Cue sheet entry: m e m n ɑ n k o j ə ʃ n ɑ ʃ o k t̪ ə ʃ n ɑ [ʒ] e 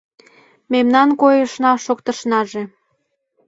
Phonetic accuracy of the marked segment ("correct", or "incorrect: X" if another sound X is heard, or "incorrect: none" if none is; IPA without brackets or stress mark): correct